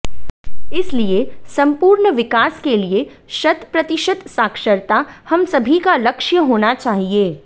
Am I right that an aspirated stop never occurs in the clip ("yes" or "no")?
yes